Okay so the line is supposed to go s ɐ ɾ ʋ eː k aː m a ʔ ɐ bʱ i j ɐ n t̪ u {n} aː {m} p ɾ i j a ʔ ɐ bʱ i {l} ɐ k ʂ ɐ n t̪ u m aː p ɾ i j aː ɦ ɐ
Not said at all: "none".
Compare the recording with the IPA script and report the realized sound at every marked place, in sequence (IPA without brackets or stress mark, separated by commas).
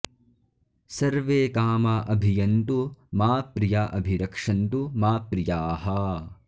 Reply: m, none, ɾ